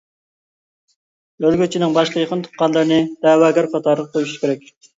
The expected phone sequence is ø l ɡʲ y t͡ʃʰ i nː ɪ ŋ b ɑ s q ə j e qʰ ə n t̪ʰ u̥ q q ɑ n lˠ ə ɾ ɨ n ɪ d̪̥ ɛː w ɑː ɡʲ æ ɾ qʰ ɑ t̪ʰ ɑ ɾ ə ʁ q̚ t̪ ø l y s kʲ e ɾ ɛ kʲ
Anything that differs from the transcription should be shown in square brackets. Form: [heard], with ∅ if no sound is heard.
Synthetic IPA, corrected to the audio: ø l ɡʲ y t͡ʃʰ i [n] ɪ ŋ b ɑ [ʃ] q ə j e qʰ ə n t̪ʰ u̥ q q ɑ n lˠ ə ɾ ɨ n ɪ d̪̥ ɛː w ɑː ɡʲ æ ɾ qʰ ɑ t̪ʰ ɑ ɾ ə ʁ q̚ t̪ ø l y [ʃ] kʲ e ɾ ɛ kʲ